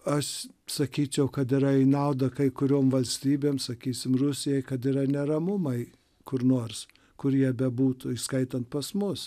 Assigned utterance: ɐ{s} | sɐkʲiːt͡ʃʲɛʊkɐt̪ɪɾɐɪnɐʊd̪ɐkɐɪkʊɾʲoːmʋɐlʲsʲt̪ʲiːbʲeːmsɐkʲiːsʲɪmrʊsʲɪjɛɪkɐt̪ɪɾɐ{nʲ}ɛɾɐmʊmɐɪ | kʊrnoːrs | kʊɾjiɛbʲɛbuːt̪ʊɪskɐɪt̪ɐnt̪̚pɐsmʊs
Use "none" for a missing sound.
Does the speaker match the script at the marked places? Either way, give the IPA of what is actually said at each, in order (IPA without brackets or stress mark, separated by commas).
ʃ, nʲ